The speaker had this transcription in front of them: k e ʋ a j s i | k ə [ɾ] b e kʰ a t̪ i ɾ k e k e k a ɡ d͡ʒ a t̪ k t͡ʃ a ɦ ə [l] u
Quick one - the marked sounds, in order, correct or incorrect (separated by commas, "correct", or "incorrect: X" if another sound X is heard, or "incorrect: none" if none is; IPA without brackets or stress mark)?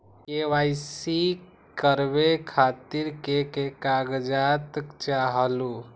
correct, correct